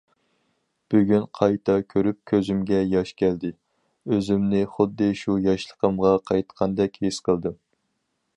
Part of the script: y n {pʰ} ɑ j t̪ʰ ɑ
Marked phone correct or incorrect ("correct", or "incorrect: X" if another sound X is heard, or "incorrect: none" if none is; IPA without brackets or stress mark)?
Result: incorrect: qʰ